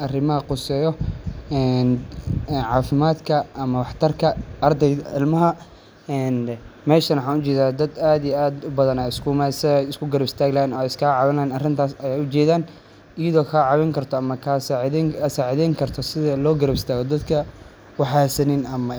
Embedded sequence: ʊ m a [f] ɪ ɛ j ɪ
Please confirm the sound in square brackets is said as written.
no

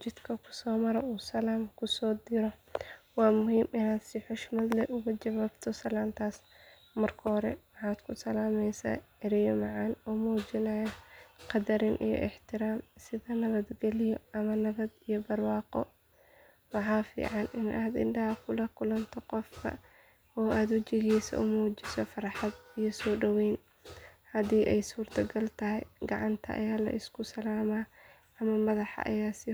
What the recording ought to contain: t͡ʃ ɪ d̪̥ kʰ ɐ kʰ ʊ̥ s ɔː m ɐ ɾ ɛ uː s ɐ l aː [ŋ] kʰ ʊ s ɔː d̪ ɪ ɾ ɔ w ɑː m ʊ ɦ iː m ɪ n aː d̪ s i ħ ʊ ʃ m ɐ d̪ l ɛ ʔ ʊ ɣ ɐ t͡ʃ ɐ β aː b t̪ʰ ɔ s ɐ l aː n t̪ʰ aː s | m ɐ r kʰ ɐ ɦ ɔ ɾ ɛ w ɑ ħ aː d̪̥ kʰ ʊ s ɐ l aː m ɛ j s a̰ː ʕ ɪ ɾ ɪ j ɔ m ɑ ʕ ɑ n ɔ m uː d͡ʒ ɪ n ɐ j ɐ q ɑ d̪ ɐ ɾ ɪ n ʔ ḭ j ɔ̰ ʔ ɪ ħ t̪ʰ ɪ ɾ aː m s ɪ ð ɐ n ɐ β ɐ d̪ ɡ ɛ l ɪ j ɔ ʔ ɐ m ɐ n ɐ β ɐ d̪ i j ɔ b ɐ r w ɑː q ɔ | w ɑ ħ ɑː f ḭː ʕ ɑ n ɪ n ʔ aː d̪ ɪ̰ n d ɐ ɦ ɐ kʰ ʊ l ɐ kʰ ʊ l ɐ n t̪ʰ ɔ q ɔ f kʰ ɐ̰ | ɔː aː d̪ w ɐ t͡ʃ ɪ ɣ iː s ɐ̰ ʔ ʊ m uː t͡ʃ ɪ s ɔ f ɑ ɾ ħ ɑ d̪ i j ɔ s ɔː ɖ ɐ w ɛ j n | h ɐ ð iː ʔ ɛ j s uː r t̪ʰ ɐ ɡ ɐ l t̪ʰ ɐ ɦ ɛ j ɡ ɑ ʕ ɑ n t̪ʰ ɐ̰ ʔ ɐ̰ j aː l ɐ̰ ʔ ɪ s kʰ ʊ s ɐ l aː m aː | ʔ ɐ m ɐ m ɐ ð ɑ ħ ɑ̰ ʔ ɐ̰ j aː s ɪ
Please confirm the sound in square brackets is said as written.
no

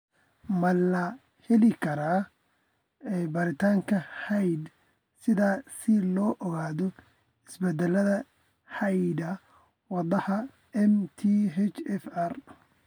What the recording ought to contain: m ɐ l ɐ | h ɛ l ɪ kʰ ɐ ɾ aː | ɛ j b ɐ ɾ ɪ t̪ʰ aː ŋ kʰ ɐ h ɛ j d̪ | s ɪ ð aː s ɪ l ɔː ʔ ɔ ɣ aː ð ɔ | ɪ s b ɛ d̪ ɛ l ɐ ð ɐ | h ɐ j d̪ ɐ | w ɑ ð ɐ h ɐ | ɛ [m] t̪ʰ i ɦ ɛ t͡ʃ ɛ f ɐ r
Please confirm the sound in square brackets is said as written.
yes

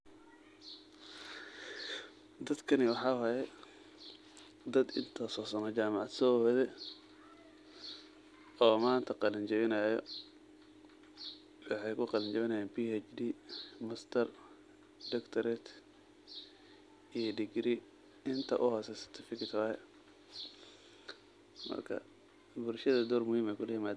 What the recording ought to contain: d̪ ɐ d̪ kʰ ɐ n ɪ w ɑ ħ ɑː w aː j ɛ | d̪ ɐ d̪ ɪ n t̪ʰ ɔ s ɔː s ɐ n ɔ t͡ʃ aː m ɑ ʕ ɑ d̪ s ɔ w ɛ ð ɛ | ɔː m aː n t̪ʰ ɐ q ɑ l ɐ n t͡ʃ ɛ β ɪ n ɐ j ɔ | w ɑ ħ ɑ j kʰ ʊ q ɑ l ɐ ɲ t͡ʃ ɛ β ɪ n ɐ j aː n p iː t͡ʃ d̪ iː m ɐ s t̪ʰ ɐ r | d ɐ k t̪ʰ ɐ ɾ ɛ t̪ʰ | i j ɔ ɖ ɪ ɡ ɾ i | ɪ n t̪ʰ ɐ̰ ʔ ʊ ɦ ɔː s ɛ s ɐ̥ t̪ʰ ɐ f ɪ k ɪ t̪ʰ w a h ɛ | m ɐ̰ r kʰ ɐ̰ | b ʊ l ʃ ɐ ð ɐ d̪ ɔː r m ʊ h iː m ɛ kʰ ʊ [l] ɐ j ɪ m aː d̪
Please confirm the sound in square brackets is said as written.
yes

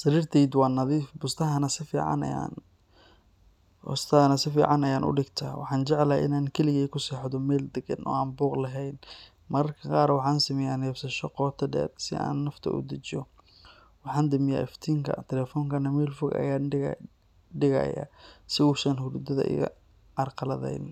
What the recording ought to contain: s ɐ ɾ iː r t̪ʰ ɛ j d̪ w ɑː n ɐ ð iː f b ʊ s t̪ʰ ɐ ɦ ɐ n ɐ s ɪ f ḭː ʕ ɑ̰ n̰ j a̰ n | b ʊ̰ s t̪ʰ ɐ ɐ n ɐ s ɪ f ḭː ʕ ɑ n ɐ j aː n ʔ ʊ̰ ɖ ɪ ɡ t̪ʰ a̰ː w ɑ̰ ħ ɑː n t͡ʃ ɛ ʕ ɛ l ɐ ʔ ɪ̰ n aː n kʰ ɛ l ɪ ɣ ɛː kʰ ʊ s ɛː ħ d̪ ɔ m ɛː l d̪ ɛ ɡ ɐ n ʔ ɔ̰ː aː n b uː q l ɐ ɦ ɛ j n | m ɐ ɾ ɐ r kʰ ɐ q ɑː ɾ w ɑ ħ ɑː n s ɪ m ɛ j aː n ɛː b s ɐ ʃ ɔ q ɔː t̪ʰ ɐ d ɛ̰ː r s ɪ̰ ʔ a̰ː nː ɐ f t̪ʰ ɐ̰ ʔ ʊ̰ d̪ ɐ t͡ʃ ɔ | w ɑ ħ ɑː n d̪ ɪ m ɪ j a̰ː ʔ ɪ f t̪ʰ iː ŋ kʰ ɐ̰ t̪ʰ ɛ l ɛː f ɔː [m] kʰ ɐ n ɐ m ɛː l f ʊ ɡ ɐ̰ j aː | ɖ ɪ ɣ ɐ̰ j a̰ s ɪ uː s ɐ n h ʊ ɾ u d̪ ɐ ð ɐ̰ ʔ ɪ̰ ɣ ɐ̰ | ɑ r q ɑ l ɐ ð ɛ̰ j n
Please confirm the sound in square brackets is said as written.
no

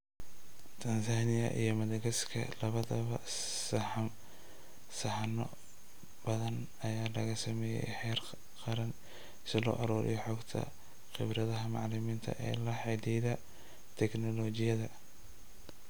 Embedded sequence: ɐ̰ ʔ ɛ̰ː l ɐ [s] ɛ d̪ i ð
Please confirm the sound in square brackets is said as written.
no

